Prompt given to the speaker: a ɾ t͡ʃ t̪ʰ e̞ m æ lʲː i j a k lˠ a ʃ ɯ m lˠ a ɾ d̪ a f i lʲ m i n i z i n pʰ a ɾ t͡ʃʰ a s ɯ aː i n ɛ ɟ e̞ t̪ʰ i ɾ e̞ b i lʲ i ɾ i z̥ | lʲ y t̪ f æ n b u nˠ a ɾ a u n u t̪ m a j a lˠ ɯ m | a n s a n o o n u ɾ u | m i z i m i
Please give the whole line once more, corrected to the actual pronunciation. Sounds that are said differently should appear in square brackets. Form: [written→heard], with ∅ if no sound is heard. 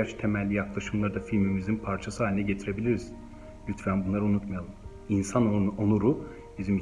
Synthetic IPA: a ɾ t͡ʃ t̪ʰ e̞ m æ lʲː i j a k lˠ a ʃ ɯ m lˠ a ɾ d̪ a f i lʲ m i [n→m] i z i n pʰ a ɾ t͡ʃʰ a s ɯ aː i n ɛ ɟ e̞ t̪ʰ i ɾ e̞ b i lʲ i ɾ i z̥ | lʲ y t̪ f æ n b u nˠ a ɾ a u n u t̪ m a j a lˠ ɯ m | [a→i] n s a n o o n u ɾ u | [m→b] i z i m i